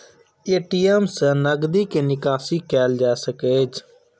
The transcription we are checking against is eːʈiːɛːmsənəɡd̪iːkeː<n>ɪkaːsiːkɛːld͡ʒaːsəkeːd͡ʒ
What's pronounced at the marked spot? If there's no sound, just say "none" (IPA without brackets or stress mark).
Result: n